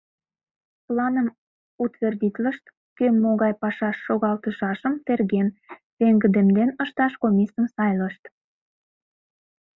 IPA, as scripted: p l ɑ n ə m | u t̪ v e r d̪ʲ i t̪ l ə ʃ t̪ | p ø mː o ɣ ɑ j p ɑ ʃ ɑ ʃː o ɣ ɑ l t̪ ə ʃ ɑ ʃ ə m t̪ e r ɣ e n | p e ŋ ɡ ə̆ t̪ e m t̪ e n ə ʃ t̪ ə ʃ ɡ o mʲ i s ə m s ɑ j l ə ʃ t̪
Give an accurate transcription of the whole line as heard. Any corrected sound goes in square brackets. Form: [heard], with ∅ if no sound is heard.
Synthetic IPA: p l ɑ n ə m | u t̪ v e r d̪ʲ i t̪ l ə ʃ t̪ | [k] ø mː o ɣ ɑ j p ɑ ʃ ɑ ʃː o ɣ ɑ l t̪ ə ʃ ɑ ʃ ə m t̪ e r ɣ e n | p e ŋ ɡ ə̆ [d̪] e m [d̪] e n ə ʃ t̪ [ɑ] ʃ [k] o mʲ i s ə m s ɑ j l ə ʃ t̪